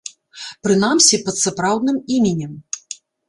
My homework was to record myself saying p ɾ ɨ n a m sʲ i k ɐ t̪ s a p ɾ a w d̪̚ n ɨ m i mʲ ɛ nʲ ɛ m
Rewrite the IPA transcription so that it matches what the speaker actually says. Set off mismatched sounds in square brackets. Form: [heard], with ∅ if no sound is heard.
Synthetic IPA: p ɾ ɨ n a m sʲ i [p] ɐ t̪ s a p ɾ a w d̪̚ n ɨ m i mʲ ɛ nʲ ɛ m